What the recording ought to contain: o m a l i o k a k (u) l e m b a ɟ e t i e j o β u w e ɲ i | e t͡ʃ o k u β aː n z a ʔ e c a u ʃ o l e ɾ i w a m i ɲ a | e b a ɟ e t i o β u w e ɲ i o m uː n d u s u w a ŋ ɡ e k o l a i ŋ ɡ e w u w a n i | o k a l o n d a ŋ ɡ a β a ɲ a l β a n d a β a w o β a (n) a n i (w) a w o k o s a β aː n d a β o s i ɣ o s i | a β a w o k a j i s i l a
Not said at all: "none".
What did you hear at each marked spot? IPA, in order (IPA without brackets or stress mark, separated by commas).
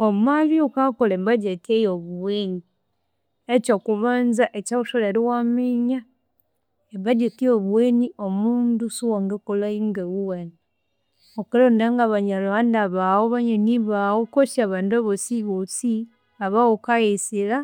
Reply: o, ɲ, β